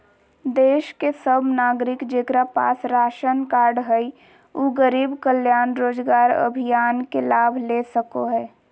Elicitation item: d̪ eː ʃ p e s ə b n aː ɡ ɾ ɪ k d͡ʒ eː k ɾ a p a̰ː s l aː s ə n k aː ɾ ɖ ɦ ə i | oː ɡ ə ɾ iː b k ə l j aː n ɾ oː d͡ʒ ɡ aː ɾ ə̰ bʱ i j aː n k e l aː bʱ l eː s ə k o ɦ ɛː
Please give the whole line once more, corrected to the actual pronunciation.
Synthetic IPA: d̪ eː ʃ k e s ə b n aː ɡ ɾ ɪ k d͡ʒ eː k ɾ a p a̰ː s ɾ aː ʃ ə n k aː ɾ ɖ ɦ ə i | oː ɡ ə ɾ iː b k ə l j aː n ɾ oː d͡ʒ ɡ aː ɾ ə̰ bʱ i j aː n k e l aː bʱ l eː s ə k o ɦ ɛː

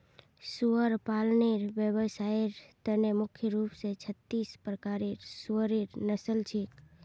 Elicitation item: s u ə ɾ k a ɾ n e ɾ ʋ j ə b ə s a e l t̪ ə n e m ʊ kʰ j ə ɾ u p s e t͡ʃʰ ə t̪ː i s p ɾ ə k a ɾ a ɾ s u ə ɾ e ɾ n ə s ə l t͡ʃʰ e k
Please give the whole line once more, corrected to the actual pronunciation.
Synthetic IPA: s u ə ɾ p a l n e ɾ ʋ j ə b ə s a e ɾ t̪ ə n e m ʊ kʰ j ə ɾ u p s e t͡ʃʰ ə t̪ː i s p ɾ ə k a ɾ e ɾ s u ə ɾ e ɾ n ə s ə l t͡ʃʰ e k

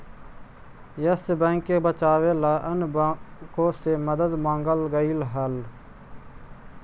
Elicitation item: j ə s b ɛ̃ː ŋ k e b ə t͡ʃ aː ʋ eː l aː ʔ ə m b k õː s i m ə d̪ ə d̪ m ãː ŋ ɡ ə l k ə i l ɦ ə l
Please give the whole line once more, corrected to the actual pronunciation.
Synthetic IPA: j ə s b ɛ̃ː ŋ k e b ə t͡ʃ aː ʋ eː l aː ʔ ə n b k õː s e m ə d̪ ə d̪ m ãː ŋ ɡ ə l ɡ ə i l ɦ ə l

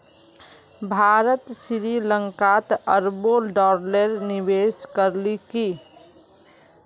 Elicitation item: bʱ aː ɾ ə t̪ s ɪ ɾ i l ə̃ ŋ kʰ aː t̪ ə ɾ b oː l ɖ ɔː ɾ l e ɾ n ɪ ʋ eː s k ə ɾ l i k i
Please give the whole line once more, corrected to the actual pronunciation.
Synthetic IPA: bʱ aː ɾ ə t̪ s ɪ ɾ i l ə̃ ŋ k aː t̪ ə ɾ b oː l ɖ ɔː ɾ l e ɾ n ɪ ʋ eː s k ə ɾ l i k i

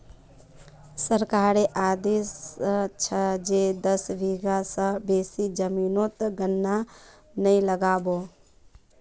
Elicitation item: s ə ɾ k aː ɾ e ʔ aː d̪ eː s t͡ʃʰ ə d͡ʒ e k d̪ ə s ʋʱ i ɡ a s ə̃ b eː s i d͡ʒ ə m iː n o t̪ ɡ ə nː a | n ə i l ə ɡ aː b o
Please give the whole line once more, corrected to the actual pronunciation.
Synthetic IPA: s ə ɾ k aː ɾ e ʔ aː d̪ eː s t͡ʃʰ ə d͡ʒ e d̪ ə s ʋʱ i ɡ a s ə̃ b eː s i d͡ʒ ə m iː n o t̪ ɡ ə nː a | n ə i l ə ɡ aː b o

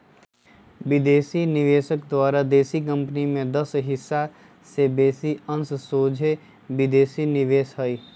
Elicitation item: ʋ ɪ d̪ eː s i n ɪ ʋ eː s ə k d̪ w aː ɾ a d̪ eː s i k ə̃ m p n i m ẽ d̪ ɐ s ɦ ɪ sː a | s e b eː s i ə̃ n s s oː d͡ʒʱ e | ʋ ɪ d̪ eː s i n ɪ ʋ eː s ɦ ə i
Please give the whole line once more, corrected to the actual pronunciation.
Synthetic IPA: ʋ ɪ d̪ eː s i n ɪ ʋ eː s ə k d̪ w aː ɾ a d̪ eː s i k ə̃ m p n i m ẽ d̪ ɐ s ɦ ɪ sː a | s e b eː s i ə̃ n s s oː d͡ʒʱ e | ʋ ɪ d̪ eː s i n ɪ ʋ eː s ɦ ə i

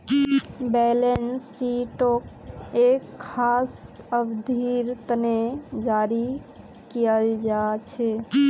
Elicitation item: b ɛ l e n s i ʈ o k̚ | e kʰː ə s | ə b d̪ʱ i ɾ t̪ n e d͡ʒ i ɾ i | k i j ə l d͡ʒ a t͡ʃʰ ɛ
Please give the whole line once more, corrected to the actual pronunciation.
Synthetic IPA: b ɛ l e n s i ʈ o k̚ | e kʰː a s | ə b d̪ʱ i ɾ t̪ n e d͡ʒ a ɾ i | k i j ə l d͡ʒ a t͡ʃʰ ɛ

